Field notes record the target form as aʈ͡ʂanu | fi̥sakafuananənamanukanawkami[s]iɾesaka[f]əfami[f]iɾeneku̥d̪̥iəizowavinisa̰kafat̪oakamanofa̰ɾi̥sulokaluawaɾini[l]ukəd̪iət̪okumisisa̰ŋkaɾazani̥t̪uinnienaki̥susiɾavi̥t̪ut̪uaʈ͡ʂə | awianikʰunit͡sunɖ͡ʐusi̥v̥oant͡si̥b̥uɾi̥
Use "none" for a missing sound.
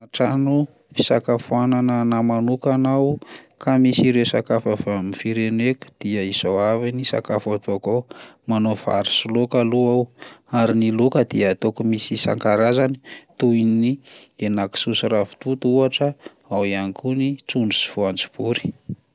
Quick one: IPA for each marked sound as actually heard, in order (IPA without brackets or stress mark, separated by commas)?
s, f, f, l